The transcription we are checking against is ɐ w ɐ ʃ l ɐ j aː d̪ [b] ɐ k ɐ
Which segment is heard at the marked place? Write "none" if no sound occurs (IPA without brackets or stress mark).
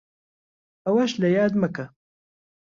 m